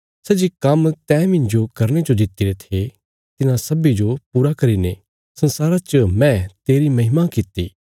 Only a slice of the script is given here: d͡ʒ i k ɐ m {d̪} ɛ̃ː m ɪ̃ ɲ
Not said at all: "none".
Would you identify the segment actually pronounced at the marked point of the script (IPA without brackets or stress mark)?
t̪